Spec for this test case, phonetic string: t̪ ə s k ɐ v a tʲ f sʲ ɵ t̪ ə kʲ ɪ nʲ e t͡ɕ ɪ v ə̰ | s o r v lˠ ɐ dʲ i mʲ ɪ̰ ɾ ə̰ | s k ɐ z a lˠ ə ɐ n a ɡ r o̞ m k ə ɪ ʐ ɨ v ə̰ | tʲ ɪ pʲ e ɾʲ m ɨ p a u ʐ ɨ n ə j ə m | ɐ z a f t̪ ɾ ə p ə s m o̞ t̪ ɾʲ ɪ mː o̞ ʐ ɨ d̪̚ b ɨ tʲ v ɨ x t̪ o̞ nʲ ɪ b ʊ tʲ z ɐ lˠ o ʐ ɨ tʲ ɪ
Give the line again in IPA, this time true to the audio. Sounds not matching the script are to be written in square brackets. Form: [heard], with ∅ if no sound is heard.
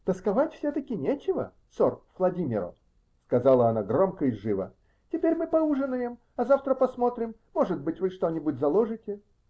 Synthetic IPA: t̪ ə s k ɐ v a tʲ f sʲ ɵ t̪ ə kʲ ɪ nʲ e t͡ɕ ɪ v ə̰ | s o r v lˠ ɐ dʲ i mʲ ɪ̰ ɾ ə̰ | s k ɐ z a lˠ ə ɐ n a ɡ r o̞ m k ə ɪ ʐ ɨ v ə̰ | tʲ ɪ pʲ e ɾʲ m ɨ p [ɐ] u ʐ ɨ n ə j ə m | ɐ z a f t̪ ɾ ə p [ɐ] s m o̞ t̪ ɾʲ ɪ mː o̞ ʐ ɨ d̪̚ b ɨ tʲ v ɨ [ʂ] t̪ o̞ nʲ ɪ b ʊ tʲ z ɐ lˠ o ʐ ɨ tʲ ɪ